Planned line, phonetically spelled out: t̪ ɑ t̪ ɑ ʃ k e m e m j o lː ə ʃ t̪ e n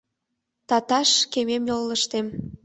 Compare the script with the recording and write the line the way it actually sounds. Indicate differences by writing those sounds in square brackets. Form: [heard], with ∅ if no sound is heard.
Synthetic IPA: t̪ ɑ t̪ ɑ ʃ k e m e m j o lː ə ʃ t̪ e [m]